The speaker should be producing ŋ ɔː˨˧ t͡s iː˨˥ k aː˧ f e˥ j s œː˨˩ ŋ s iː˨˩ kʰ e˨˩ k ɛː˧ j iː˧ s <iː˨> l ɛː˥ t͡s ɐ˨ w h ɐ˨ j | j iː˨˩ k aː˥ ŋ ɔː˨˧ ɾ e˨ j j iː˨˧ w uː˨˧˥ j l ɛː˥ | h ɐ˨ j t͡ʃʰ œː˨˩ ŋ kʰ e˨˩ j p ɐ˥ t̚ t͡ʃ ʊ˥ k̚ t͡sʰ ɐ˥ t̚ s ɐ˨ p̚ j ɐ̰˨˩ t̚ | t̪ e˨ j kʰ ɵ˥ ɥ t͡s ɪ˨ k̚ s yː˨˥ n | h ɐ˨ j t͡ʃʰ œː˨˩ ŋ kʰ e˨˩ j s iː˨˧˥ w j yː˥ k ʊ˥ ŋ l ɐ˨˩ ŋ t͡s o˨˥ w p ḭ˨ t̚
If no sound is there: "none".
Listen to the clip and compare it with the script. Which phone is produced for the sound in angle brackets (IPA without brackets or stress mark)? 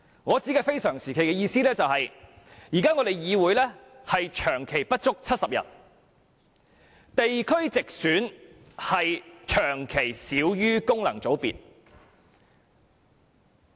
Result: iː˥